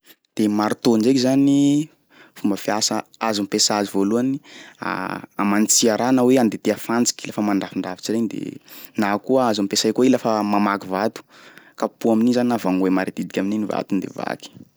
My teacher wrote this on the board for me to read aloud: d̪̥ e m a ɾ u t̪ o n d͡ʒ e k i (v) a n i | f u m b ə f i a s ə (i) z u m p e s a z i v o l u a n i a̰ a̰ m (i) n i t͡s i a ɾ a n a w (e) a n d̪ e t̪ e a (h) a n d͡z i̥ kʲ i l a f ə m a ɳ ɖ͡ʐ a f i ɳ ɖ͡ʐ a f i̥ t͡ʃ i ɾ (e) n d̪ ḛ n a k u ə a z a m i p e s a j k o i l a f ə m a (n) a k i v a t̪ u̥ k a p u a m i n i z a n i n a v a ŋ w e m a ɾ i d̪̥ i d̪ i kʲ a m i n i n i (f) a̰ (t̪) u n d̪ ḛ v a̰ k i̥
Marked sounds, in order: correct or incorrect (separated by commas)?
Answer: incorrect, incorrect, incorrect, correct, incorrect, correct, incorrect, incorrect, correct